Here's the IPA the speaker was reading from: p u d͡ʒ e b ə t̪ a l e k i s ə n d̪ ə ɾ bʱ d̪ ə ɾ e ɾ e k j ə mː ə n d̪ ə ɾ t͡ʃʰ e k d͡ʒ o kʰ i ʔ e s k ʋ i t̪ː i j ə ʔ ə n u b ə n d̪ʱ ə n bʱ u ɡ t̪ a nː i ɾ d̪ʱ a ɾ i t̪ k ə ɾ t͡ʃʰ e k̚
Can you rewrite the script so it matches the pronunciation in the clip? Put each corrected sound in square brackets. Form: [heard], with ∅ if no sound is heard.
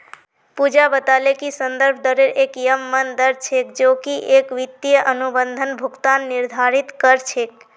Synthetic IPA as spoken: p u d͡ʒ [a] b ə t̪ a l e k i s ə n d̪ ə ɾ bʱ d̪ ə ɾ e ɾ e k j ə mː ə n d̪ ə ɾ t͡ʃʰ e k d͡ʒ o [k] i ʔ e [∅] k ʋ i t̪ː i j ə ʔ ə n u b ə n d̪ʱ ə n bʱ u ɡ t̪ a nː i ɾ d̪ʱ a ɾ i t̪ k ə ɾ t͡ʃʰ e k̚

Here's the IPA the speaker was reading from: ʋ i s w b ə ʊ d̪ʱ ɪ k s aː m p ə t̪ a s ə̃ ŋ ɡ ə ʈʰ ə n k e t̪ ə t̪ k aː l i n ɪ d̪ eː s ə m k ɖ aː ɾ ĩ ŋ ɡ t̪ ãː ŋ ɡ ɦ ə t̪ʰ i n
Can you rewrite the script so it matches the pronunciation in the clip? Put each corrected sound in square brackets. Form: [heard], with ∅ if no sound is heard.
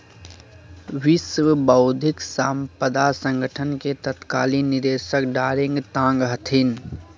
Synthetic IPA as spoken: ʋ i s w b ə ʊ d̪ʱ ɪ k s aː m p ə [d̪] a s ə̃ ŋ ɡ ə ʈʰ ə n k e t̪ ə t̪ k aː l i n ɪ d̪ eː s ə [∅] k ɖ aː ɾ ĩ ŋ ɡ t̪ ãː ŋ ɡ ɦ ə t̪ʰ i n

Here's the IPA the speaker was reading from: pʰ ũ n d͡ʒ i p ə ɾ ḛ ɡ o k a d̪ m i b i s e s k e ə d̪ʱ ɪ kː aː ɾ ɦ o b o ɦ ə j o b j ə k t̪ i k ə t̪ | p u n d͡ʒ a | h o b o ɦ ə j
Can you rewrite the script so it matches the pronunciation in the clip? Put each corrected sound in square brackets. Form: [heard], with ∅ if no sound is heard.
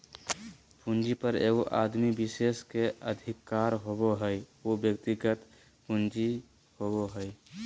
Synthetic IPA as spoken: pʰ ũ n d͡ʒ i p ə ɾ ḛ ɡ o [ʔ] a d̪ m i b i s e s k e ə d̪ʱ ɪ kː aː ɾ ɦ o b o ɦ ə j o b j ə k t̪ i [ɡ] ə t̪ | p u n d͡ʒ [i] | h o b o ɦ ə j

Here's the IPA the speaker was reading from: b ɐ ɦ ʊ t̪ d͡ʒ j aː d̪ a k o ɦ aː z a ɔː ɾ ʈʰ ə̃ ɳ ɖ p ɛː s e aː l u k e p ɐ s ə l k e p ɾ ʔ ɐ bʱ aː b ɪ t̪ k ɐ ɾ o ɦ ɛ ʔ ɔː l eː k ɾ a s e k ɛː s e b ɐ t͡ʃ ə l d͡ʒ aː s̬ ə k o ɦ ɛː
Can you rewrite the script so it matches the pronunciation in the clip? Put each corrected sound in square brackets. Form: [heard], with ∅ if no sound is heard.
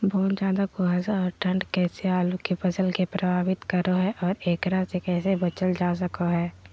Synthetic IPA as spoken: b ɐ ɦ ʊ t̪ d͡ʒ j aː d̪ a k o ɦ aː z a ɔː ɾ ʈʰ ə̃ ɳ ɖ [k] ɛː s e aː l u k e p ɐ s ə l k e p ɾ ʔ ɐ bʱ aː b ɪ t̪ k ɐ ɾ o ɦ ɛ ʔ ɔː [ɾ] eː k ɾ a s e k ɛː s e b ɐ t͡ʃ ə l d͡ʒ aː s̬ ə k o ɦ ɛː

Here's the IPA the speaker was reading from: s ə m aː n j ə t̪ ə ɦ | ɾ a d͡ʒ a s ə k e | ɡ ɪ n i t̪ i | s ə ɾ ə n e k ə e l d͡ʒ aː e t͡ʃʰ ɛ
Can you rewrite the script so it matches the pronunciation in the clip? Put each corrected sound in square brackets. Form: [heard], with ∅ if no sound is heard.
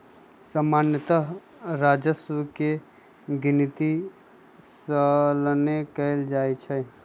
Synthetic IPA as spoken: s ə m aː n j ə t̪ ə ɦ | ɾ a d͡ʒ [ə] s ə k e | ɡ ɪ n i t̪ i | s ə [l] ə n e k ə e l d͡ʒ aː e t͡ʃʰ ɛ

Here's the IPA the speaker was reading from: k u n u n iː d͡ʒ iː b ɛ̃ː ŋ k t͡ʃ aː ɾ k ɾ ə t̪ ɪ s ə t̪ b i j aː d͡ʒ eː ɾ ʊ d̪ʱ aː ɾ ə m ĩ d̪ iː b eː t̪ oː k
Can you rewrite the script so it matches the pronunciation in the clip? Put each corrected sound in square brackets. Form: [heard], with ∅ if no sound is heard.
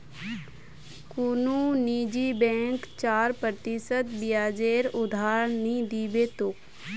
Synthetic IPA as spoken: k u n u n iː d͡ʒ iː b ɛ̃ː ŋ k t͡ʃ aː ɾ [p] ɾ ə t̪ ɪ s ə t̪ b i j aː d͡ʒ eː ɾ ʊ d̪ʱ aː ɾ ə [n] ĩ d̪ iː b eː t̪ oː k

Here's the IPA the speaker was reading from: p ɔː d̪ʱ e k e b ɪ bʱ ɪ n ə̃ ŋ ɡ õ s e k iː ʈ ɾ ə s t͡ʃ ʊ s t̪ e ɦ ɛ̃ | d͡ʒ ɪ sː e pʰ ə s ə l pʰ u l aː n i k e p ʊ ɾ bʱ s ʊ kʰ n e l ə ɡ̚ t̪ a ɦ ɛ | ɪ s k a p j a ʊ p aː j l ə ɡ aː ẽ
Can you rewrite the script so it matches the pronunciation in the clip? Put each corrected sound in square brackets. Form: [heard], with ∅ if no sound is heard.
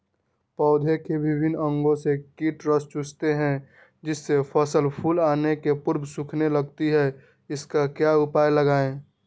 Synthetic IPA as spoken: p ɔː d̪ʱ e k e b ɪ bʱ ɪ n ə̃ ŋ ɡ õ s e k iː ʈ ɾ ə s t͡ʃ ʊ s t̪ e ɦ ɛ̃ | d͡ʒ ɪ sː e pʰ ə s ə l pʰ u l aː n [e] k e p ʊ ɾ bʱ s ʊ kʰ n e l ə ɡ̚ t̪ [i] ɦ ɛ | ɪ s k a [k] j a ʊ p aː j l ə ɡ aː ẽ

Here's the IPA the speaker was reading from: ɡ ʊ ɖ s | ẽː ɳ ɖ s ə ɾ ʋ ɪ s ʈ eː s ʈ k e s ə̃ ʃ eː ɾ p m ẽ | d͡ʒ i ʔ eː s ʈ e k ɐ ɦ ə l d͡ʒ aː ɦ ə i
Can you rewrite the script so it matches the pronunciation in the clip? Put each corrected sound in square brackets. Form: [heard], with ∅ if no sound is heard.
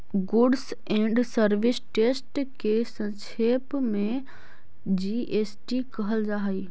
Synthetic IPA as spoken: ɡ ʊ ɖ s | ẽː ɳ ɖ s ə ɾ ʋ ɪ s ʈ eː s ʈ k e s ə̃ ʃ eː [∅] p m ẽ | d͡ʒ i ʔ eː s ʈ [i] k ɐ ɦ ə l d͡ʒ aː ɦ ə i

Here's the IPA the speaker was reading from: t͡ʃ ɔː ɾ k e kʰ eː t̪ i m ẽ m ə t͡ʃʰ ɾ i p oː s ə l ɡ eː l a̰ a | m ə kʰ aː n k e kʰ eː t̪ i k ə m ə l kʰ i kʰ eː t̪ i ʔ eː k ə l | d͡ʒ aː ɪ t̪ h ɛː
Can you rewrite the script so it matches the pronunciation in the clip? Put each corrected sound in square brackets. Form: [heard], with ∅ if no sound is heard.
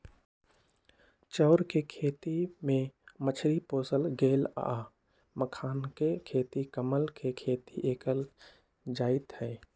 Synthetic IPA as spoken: t͡ʃ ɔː ɾ k e kʰ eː t̪ i m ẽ m ə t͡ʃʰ ɾ i p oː s ə l ɡ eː l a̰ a | m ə kʰ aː n k e kʰ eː t̪ i k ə m ə l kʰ [e] kʰ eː t̪ i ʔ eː k ə l | d͡ʒ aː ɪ t̪ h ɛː

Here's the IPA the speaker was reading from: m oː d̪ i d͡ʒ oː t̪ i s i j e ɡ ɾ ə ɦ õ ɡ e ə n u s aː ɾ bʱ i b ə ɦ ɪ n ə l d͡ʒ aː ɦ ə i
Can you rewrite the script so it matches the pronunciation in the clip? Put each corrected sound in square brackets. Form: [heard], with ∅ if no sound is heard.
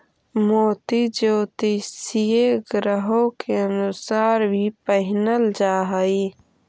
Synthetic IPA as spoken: m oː [t̪] i d͡ʒ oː t̪ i s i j e ɡ ɾ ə ɦ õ [k] e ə n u s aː ɾ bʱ i [p] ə ɦ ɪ n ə l d͡ʒ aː ɦ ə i

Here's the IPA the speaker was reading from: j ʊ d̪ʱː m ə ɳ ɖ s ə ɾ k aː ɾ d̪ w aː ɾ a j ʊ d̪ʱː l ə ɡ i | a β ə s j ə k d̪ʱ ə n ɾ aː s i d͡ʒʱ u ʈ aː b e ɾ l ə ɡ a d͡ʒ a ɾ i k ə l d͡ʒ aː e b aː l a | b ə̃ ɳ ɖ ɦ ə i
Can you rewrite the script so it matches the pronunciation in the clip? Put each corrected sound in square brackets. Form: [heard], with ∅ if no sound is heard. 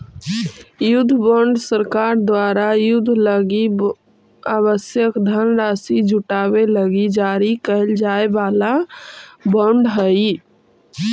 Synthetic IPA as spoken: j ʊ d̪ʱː [b] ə ɳ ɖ s ə ɾ k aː ɾ d̪ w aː ɾ a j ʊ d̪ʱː l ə ɡ i | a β ə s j ə k d̪ʱ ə n ɾ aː s i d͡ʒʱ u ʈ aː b e [∅] l ə ɡ [i] d͡ʒ a ɾ i k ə l d͡ʒ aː e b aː l a | b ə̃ ɳ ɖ ɦ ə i

